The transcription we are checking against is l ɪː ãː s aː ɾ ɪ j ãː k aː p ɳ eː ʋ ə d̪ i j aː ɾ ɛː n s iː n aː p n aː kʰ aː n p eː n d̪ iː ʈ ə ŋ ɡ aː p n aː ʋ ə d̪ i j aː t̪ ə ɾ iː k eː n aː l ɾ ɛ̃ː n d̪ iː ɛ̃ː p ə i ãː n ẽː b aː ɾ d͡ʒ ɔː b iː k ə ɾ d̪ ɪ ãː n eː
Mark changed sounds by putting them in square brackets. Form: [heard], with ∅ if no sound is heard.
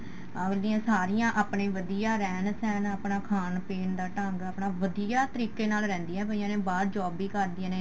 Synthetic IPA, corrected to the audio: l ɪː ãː s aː ɾ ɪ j ãː [ʔ] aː p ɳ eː ʋ ə d̪ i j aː ɾ ɛː n s [ɛː] n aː p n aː kʰ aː n p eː n d̪ [aː] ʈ ə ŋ ɡ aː p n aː ʋ ə d̪ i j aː t̪ ə ɾ iː k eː n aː l ɾ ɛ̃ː n d̪ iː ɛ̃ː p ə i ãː n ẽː b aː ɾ d͡ʒ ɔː b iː k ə ɾ d̪ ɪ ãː n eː